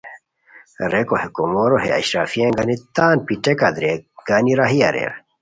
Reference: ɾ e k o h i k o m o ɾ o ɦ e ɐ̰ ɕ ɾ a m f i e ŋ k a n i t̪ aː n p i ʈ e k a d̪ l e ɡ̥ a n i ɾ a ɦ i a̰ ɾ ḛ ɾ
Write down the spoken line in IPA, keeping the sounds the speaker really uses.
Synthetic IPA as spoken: ɾ e k o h e k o m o ɾ o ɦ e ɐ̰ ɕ ɾ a f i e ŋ ɡ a n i t̪ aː n p i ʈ e k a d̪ ɾ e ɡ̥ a n i ɾ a ɦ i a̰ ɾ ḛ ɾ